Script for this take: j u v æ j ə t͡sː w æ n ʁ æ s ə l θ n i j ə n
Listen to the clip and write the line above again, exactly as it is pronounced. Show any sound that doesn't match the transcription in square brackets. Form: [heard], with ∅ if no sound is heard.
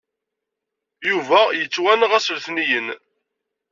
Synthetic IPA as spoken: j u v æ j ə t͡sː w æ n ʁ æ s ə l θ n i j ə n